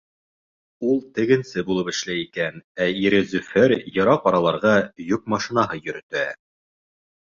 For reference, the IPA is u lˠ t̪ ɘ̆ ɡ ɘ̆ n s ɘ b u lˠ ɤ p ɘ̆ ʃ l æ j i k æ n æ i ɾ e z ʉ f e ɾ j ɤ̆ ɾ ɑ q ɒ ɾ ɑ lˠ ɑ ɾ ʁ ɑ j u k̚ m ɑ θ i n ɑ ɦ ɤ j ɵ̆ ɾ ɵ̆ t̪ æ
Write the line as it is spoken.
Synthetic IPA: u lˠ t̪ ɘ̆ ɡ ɘ̆ n s ɘ b u lˠ ɤ p ɘ̆ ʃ l æ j i k æ n æ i ɾ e z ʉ f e ɾ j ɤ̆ ɾ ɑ q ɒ ɾ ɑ lˠ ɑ ɾ ʁ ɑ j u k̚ m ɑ ʃ i n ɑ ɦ ɤ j ɵ̆ ɾ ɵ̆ t̪ æ